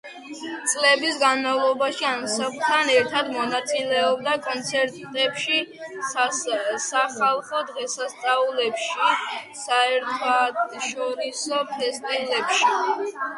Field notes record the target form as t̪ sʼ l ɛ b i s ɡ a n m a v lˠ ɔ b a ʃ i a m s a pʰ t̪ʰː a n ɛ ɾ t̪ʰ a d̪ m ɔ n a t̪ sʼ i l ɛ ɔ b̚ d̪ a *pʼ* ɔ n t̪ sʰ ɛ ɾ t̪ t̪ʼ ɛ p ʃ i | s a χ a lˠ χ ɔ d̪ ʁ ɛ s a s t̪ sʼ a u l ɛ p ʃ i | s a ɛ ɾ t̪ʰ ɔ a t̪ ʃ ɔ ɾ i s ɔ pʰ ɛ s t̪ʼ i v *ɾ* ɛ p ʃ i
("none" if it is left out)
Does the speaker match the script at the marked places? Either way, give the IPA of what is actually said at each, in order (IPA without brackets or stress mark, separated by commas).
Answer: kʼ, l